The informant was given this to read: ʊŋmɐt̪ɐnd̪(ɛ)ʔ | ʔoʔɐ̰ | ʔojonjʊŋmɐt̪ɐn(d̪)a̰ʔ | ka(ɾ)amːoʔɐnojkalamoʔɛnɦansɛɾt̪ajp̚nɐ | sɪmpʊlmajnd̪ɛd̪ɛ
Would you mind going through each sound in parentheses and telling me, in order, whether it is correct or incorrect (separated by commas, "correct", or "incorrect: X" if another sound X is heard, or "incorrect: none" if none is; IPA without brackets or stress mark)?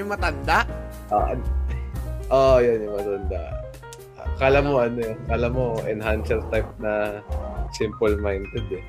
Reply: incorrect: a, correct, incorrect: l